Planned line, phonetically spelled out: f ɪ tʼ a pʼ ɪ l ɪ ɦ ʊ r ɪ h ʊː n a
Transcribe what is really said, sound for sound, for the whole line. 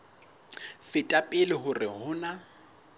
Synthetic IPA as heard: f ɪ tʼ a pʼ ɪ l ɪ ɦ ʊ r ɪ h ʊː n a